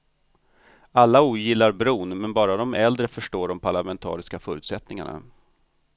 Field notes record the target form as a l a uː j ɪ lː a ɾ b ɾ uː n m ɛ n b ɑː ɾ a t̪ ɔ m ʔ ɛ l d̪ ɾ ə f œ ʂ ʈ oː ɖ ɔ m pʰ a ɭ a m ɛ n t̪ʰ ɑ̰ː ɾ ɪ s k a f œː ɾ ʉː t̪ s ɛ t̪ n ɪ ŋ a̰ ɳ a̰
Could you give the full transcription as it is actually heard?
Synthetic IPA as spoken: a lː a uː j ɪ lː a ɾ b ɾ uː n m ɛ n b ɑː ɾ a d̪ ɔ m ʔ ɛ l d̪ ɾ ə f œ ʂ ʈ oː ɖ ɔ m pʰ a ɭ a m ɛ n t̪ʰ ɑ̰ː ɾ ɪ s k a f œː ɾ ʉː t̪ s ɛ t̪ n ɪ ŋ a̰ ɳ a̰

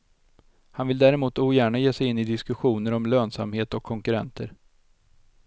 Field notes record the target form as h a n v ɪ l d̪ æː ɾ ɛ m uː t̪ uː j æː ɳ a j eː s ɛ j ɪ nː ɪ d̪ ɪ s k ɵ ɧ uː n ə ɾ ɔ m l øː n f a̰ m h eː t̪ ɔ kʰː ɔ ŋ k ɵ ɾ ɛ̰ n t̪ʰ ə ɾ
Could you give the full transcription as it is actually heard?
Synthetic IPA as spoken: h a n v ɪ l d̪ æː ɾ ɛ m uː t̪ uː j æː ɳ a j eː s ɛ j ɪ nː ɪ d̪ ɪ s k ɵ ɧ uː n ə ɾ ɔ m l øː n s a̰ m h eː t̪ ɔ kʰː ɔ ŋ k ɵ ɾ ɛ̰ n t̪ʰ ə ɾ

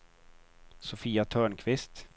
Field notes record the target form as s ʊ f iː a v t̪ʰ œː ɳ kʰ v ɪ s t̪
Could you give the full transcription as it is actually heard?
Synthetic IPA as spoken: s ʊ f iː a t̪ʰ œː ɳ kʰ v ɪ s t̪

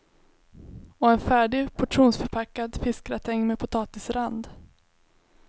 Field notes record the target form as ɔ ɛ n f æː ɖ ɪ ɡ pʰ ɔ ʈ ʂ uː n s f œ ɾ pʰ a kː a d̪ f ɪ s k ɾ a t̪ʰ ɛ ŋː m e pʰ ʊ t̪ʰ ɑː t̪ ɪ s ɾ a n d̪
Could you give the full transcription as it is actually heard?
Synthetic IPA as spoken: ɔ ɛ n f æː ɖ ɪ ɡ pʰ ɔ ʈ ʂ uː n s f œ ɾ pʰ a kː a d̪ f ɪ s k ɾ a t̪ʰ ɛ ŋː m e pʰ ʊ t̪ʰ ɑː t̪ ɪ s ɾ a n d̪

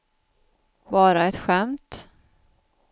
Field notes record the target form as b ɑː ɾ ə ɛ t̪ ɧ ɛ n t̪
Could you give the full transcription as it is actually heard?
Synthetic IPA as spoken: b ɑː ɾ a ɛ t̪ ɧ ɛ m t̪

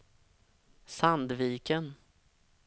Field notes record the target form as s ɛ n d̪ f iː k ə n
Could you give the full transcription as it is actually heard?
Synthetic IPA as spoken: s a n d̪ v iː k ə n

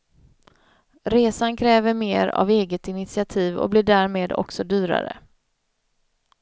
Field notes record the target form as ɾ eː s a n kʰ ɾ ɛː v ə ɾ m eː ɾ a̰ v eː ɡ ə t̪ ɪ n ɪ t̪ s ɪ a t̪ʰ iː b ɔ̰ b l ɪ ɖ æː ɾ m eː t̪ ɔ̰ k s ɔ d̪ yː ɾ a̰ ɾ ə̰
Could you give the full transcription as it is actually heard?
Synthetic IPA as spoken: ɾ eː s a n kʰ ɾ ɛː v ə ɾ m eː ɾ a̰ v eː ɡ ə t̪ ɪ n ɪ t̪ s ɪ a t̪ʰ iː v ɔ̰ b l ɪ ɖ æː ɾ m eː d̪ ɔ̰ k s ɔ d̪ yː ɾ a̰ ɾ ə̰

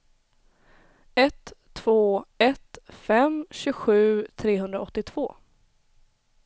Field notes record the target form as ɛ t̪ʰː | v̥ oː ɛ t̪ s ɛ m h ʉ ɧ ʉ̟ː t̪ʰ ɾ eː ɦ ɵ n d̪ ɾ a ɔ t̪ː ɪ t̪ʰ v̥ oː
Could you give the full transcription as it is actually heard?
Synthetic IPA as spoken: ɛ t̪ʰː | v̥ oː ɛ t̪ f ɛ m ɕ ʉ ɧ ʉ̟ː t̪ʰ ɾ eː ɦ ɵ n d̪ ɾ a ɔ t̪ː ɪ t̪ʰ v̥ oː

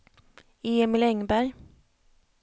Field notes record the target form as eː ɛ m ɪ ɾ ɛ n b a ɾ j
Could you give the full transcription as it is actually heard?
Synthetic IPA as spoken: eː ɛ m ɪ l ɛ ŋ b æ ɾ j

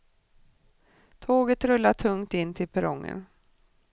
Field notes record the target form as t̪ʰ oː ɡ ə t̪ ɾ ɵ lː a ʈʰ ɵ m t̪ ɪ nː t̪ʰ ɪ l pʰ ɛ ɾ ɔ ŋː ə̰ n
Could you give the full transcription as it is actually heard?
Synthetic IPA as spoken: t̪ʰ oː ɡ ə t̪ ɾ ɵ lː a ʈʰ ɵ ŋ t̪ ɪ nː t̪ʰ ɪ l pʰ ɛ ɾ ɔ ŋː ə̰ n

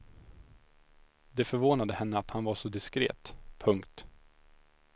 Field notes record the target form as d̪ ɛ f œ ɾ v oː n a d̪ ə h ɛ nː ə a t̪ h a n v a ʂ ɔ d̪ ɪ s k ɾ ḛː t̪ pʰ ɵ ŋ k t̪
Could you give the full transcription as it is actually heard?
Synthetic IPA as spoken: d̪ ɛ f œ ɾ v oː n a d̪ ə h ɛ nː ə a t̪ h a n v a ʂ ɔ d̪ ɪ s k ɾ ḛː t̪ pʰ ɵ ŋ k t̪

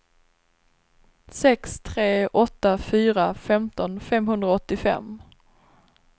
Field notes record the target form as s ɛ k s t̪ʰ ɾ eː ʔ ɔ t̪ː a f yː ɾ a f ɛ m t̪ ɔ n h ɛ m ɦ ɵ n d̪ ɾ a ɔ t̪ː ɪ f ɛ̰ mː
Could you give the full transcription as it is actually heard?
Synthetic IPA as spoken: s ɛ k s t̪ʰ ɾ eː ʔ ɔ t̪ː a f yː ɾ a f ɛ m t̪ ɔ n f ɛ m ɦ ɵ n d̪ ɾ a ɔ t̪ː ɪ f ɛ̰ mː

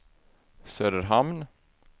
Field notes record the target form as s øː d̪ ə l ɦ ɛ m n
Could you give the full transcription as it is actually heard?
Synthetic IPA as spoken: s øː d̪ ə ɾ ɦ a m n

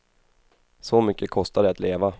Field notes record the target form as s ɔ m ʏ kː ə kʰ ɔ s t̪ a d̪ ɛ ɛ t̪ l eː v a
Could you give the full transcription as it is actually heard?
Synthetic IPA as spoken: s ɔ m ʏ kː ə kʰ ɔ s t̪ a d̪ ɛ a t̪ l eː v a

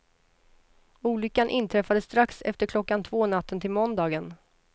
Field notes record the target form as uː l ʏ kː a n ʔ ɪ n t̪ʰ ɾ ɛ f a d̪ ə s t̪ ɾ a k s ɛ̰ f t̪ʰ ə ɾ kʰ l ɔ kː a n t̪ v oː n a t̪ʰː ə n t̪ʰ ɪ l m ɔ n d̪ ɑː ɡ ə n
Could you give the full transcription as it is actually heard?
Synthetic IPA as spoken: uː l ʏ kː a n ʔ ɪ n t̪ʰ ɾ ɛ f a d̪ ə s t̪ ɾ a k s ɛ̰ f t̪ ə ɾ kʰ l ɔ kː a n t̪ʰ v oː n a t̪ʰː ə n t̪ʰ ɪ l m ɔ n d̪ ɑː ɡ ə n

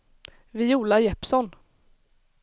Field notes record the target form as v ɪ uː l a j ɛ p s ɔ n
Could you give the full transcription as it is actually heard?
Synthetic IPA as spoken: v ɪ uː l a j ɛ p s ɔ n

